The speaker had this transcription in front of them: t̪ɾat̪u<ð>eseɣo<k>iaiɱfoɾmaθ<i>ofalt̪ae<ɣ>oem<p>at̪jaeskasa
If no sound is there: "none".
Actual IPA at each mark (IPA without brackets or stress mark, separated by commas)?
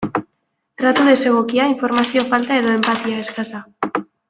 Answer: ð, k, j, ð, p